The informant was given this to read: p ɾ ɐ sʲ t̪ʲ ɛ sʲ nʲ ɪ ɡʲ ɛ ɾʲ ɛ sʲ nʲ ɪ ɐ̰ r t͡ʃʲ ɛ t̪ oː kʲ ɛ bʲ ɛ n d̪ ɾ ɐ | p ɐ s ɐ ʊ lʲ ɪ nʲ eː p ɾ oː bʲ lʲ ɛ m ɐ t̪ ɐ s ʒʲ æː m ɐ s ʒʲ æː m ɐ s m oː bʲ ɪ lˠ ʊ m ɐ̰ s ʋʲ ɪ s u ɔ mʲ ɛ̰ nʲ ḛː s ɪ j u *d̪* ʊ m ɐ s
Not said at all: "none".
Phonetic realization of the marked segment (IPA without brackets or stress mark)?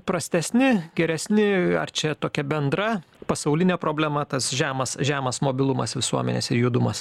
d̪